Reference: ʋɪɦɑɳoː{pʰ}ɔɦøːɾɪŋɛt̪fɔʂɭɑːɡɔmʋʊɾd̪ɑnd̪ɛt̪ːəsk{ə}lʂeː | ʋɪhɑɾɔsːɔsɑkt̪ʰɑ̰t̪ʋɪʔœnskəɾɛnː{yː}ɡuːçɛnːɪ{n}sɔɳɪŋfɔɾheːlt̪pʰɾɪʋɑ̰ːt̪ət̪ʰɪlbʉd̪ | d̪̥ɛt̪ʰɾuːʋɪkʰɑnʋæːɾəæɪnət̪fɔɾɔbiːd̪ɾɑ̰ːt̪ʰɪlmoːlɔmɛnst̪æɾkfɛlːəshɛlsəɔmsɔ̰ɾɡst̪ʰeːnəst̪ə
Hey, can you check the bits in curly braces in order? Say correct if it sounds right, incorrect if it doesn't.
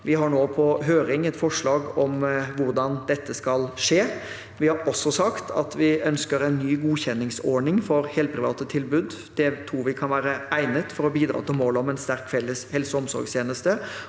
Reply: correct, incorrect, correct, incorrect

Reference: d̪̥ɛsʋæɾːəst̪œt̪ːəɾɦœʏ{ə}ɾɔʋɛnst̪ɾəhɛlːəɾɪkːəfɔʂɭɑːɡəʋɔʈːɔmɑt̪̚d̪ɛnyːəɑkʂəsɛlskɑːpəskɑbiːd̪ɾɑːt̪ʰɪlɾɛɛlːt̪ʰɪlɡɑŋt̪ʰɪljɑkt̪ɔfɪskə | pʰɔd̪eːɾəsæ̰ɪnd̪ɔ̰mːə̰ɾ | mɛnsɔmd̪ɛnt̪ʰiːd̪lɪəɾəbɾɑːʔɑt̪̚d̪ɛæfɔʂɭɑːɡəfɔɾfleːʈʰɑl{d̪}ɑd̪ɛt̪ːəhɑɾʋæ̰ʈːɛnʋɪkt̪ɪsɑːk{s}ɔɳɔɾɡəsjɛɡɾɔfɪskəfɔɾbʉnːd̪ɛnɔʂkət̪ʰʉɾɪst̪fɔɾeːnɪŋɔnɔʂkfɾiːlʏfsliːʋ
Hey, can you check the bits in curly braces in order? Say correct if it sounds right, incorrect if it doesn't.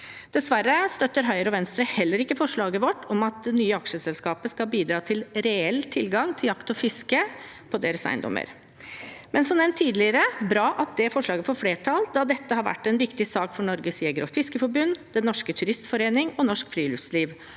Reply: correct, correct, incorrect

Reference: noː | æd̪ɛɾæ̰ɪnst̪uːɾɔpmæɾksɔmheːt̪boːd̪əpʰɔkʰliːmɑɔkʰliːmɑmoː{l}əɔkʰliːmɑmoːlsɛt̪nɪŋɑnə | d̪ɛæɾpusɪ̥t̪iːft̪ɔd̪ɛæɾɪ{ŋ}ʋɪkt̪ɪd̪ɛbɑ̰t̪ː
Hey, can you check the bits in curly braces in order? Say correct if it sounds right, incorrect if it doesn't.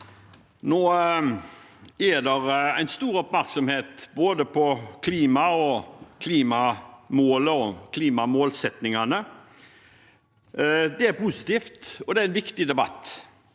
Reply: correct, incorrect

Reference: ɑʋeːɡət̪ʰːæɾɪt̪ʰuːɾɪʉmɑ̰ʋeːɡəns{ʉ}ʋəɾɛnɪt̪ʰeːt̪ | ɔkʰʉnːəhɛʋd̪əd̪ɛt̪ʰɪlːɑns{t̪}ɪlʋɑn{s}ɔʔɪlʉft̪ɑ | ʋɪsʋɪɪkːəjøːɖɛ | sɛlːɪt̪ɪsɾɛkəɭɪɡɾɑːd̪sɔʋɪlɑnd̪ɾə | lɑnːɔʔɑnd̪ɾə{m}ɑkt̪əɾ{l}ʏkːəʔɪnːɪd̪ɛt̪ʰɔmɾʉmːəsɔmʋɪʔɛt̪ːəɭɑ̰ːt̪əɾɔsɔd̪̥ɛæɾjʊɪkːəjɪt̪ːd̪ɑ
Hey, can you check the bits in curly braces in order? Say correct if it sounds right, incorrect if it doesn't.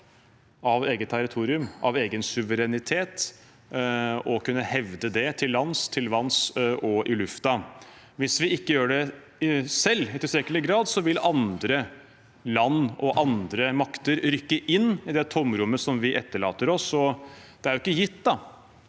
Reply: correct, incorrect, correct, correct, incorrect

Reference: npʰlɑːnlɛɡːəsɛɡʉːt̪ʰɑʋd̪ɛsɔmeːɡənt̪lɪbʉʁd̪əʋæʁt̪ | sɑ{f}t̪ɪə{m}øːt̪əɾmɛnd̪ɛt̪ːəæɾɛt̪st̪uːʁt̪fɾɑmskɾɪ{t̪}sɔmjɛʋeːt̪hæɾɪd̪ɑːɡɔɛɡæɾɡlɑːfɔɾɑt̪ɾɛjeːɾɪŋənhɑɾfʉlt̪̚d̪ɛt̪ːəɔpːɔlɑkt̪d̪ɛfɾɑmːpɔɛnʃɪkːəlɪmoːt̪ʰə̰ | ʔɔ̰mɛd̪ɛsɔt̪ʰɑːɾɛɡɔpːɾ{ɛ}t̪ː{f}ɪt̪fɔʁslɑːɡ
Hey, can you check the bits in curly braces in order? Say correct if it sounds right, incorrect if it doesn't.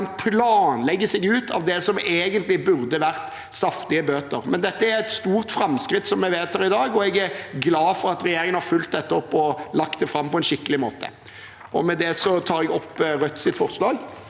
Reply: correct, incorrect, correct, incorrect, incorrect

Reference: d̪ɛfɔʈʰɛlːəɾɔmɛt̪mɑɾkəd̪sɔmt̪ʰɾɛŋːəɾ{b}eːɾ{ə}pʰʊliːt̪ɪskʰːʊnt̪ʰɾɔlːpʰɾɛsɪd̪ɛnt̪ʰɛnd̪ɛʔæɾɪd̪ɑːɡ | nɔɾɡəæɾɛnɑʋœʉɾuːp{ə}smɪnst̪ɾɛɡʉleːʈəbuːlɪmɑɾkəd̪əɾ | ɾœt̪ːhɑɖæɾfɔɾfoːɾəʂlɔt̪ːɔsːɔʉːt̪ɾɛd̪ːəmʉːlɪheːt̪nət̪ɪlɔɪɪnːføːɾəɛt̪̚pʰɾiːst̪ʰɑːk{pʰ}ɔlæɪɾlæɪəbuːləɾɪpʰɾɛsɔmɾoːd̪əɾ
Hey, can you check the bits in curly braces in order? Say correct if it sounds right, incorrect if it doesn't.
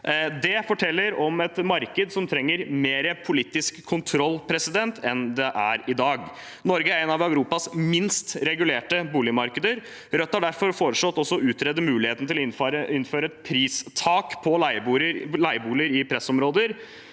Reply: incorrect, correct, incorrect, correct

